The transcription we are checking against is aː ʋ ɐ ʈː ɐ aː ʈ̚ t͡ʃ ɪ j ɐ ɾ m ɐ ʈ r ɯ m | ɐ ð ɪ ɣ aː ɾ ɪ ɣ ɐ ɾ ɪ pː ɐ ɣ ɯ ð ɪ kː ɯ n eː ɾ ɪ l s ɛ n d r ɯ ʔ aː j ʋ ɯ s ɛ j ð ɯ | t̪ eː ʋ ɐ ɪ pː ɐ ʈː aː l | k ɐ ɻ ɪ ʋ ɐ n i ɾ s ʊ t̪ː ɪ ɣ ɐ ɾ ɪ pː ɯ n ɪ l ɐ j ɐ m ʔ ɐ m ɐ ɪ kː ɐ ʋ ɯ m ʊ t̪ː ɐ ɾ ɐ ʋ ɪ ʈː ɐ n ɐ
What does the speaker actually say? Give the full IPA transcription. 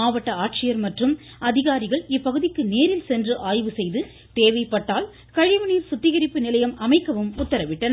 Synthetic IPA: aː ʋ ɐ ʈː ɐ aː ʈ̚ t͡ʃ ɪ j ɐ ɾ m ɐ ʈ r ɯ m | ɐ ð ɪ ɣ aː ɾ ɪ ɣ ɐ ɭ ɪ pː ɐ ɣ ɯ ð ɪ kː ɯ n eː ɾ ɪ l s ɛ n d r ɯ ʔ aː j ʋ ɯ s ɛ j ð ɯ | t̪ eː ʋ ɐ ɪ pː ɐ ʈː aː l | k ɐ ɻ ɪ ʋ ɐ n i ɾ s ʊ t̪ː ɪ ɣ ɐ ɾ ɪ pː ɯ n ɪ l ɐ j ɐ m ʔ ɐ m ɐ ɪ kː ɐ ʋ ɯ m ʊ t̪ː ɐ ɾ ɐ ʋ ɪ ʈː ɐ n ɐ